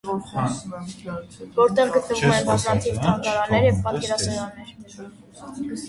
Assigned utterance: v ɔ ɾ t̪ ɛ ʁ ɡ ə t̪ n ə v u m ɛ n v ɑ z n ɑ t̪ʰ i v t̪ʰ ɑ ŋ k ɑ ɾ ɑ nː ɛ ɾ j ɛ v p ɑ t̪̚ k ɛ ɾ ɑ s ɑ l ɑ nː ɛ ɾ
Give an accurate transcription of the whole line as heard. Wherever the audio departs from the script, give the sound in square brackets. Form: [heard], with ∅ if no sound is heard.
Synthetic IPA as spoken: v ɔ ɾ t̪ ɛ ʁ ɡ ə t̪ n ə v u m ɛ n [b] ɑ z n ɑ t̪ʰ i v t̪ʰ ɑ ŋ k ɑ ɾ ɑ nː ɛ ɾ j ɛ v p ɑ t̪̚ k ɛ ɾ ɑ s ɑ [ɾ] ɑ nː ɛ ɾ